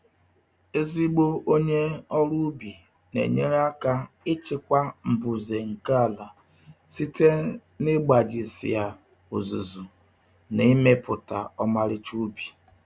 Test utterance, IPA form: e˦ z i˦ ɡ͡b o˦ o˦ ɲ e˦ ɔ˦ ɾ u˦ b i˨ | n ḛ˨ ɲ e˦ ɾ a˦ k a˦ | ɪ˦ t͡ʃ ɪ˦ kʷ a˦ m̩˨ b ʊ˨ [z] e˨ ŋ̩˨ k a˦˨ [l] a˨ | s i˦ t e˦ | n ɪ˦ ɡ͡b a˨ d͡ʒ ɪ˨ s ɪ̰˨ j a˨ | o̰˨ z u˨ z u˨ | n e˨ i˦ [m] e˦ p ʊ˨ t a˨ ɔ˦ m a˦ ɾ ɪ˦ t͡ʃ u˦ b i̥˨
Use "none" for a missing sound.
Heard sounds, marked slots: z, l, m

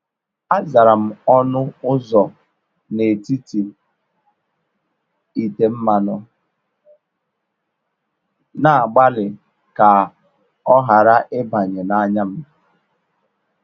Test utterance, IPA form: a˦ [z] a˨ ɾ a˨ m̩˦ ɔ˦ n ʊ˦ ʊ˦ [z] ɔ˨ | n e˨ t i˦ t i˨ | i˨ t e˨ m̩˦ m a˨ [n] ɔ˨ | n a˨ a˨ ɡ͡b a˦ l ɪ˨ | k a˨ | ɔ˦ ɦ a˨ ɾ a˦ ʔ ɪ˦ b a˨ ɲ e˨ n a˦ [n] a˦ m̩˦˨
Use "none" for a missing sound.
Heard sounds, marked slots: z, z, n, ɲ

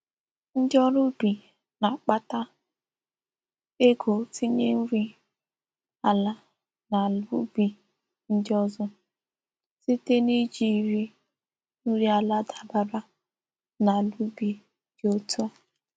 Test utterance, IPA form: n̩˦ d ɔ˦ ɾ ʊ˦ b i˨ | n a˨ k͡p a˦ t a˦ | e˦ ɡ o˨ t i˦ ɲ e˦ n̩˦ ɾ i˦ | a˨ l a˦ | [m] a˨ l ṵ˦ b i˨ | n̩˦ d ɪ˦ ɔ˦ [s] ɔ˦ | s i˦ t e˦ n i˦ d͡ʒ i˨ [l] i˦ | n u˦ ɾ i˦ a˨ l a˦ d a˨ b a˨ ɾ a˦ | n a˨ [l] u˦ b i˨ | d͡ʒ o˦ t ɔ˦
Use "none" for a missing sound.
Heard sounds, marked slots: n, z, ɾ, l

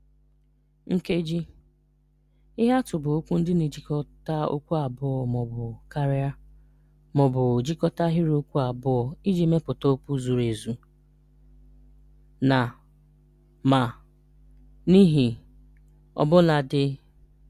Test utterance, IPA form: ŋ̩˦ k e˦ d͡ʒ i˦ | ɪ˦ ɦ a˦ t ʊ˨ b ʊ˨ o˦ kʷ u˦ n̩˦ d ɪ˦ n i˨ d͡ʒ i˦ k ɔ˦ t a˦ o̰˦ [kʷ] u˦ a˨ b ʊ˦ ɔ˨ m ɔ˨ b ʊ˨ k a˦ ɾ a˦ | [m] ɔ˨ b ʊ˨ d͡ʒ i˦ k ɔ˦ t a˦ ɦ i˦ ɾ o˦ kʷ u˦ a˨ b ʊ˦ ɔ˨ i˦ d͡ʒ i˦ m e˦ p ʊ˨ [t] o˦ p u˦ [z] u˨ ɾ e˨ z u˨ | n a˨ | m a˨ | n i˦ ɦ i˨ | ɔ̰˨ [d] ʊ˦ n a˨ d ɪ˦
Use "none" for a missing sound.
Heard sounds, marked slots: kʷ, m, t, z, b

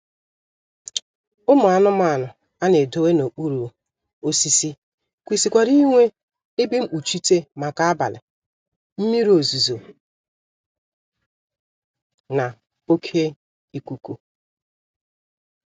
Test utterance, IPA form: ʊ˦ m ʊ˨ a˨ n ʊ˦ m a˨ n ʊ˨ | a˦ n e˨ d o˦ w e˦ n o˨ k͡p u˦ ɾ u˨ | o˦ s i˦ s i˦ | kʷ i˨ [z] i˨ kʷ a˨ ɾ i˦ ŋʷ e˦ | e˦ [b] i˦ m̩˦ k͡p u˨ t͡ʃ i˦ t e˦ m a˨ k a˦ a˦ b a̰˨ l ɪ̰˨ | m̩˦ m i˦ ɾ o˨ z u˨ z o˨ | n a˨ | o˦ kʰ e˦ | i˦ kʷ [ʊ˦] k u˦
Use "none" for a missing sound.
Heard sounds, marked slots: s, b, u˦

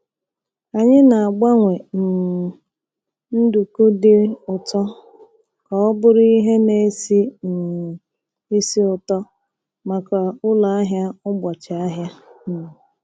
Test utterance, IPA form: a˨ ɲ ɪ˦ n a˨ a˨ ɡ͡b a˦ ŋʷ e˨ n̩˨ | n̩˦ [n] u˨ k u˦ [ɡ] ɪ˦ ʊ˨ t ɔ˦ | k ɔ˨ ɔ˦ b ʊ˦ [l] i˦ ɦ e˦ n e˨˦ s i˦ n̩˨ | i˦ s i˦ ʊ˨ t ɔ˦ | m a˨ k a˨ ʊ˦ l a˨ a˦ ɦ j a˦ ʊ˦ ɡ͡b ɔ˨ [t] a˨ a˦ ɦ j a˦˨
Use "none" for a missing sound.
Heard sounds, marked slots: d, d, ɾ, t͡ʃ

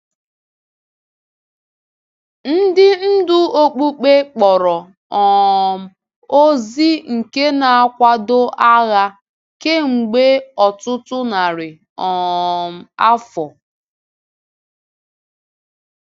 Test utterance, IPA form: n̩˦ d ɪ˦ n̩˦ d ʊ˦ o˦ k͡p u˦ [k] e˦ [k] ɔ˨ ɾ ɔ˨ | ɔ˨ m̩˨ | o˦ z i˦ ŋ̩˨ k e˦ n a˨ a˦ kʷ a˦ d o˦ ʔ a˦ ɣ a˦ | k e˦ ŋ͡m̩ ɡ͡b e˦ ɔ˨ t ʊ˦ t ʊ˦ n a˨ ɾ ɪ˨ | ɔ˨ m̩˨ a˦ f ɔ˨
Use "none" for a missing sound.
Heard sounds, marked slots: k͡p, k͡p

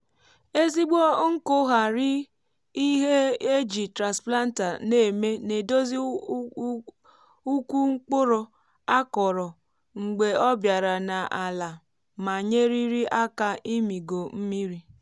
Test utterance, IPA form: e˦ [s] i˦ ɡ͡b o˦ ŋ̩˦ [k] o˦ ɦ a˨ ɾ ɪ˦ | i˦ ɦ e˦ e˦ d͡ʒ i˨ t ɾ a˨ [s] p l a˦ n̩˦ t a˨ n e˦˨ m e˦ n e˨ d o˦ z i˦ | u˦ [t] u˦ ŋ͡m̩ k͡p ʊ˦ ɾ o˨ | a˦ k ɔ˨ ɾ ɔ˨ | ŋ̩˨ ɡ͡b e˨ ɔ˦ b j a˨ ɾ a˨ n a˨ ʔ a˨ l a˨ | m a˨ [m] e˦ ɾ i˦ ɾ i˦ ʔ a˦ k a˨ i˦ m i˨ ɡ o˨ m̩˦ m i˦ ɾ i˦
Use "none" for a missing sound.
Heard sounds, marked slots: z, k, s, k, ɲ

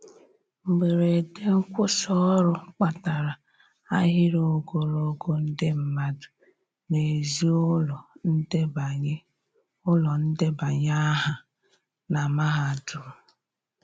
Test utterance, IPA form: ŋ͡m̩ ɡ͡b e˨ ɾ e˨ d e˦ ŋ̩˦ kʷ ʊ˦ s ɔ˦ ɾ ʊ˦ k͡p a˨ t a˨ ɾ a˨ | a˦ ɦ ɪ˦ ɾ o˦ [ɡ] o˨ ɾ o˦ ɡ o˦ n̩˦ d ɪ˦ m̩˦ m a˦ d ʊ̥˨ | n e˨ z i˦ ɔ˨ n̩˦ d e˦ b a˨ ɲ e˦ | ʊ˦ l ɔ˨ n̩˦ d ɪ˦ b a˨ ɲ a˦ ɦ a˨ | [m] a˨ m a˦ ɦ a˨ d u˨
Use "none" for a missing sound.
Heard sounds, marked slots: ɡ, n

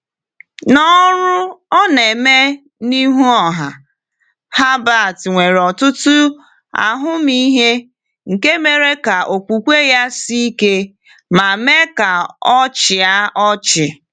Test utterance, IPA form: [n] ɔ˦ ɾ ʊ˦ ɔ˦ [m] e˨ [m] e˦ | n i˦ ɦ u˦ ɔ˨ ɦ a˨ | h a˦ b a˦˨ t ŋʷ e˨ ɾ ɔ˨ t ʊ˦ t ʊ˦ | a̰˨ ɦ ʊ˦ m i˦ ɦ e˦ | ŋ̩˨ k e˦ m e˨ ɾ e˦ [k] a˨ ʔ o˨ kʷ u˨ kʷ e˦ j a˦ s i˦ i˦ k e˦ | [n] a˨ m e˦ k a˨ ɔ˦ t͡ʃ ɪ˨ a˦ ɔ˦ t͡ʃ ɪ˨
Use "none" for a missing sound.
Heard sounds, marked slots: n, n, m, k, m

